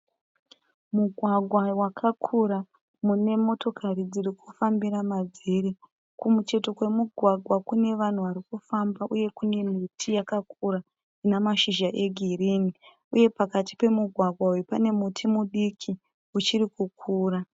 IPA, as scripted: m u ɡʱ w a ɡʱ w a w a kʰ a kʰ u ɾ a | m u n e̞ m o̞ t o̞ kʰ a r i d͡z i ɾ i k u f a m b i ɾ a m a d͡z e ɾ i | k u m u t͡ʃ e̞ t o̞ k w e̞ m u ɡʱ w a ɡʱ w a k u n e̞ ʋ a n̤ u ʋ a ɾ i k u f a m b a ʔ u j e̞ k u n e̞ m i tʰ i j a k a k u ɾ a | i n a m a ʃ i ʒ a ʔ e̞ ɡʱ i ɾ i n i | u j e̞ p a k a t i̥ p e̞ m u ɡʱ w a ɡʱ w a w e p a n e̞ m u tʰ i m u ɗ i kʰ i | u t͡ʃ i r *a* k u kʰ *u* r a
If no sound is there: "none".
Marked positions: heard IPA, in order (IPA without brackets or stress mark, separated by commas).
i, uː